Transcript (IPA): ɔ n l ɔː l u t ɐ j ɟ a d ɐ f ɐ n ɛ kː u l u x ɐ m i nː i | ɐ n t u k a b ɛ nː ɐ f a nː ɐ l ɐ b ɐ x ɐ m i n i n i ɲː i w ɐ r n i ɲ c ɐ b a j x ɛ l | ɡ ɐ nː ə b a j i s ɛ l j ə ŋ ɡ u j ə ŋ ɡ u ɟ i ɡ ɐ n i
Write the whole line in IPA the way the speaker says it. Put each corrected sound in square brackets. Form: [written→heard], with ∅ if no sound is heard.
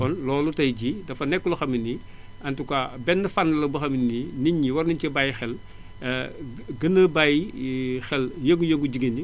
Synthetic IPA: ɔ n l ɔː l u t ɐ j ɟ [a→i] d ɐ f ɐ n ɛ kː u l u x ɐ m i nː i | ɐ n t u k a b ɛ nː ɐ f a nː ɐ l ɐ b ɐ x ɐ m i n i n i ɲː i w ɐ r n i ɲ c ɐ b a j x ɛ l | ɡ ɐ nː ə b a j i [s→x] ɛ l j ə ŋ ɡ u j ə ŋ ɡ u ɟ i ɡ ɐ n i